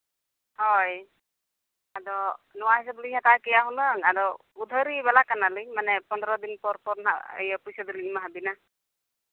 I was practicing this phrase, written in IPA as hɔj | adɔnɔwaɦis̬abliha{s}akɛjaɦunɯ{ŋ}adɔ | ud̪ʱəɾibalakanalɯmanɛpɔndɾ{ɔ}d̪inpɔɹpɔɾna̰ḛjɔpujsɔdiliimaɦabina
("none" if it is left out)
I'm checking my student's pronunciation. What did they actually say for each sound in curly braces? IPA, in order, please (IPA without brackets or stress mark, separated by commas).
t, ŋ, ɔ